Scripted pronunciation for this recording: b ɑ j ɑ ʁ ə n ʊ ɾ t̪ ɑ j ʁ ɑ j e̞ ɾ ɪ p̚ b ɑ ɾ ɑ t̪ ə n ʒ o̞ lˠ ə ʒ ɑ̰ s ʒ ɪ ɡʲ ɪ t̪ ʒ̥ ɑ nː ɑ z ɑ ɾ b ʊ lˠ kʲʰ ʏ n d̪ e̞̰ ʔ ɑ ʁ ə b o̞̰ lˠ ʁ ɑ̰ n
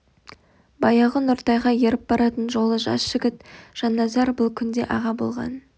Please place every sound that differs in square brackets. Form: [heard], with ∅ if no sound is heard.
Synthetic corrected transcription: b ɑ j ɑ ʁ ə n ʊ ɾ t̪ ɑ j ʁ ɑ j e̞ ɾ ɪ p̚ b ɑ ɾ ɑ t̪ ə n ʒ o̞ lˠ ə ʒ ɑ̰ s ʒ ɪ ɡʲ ɪ t̪ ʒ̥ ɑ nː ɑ z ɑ ɾ b ʊ lˠ kʲʰ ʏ n d̪ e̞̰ ʔ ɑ ʁ [ɑ] b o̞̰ lˠ ʁ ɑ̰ n